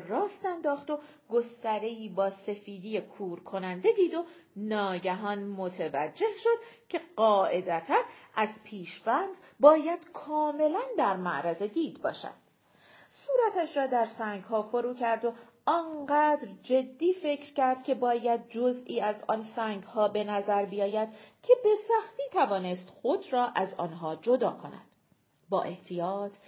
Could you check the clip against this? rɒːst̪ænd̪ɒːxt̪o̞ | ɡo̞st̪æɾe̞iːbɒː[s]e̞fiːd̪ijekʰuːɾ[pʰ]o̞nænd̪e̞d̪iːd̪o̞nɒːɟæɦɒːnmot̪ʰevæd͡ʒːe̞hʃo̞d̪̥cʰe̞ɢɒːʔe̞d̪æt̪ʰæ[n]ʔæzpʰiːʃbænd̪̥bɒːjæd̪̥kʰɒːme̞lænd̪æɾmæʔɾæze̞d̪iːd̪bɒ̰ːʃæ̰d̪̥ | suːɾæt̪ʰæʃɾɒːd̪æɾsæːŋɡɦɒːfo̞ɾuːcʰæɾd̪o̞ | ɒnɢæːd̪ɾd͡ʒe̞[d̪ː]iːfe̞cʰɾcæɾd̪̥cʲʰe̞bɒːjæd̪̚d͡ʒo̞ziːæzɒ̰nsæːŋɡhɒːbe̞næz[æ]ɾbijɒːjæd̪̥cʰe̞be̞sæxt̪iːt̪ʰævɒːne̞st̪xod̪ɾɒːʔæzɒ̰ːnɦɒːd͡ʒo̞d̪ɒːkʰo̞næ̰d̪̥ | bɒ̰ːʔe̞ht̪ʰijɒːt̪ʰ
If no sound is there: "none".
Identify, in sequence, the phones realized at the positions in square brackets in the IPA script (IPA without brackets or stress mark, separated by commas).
s, kʰ, n, d̪ː, æ